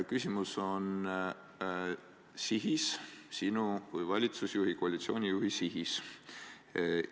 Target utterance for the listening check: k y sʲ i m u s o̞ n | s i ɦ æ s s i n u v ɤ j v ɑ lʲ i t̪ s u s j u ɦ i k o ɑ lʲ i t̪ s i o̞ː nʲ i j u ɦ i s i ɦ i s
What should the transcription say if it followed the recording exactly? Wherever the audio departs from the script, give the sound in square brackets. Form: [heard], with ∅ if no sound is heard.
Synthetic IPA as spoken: k y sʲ i m u s o̞ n | s i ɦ [i] s s i n u v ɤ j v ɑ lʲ i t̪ s u s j u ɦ i k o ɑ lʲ i t̪ s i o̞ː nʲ i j u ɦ i s i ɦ i s